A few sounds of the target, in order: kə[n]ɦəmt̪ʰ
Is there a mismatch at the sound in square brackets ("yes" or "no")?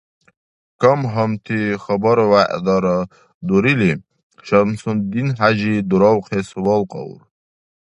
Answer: yes